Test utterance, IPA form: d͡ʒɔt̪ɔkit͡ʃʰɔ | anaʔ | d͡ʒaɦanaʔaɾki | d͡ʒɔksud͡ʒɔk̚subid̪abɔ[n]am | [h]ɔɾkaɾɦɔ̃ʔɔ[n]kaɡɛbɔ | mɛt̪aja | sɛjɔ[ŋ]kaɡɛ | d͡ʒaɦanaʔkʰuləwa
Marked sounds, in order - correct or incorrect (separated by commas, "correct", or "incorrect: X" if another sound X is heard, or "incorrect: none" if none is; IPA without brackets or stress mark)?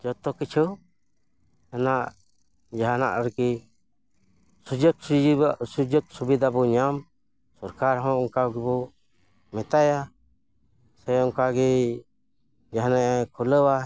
incorrect: ɲ, incorrect: s, incorrect: ŋ, correct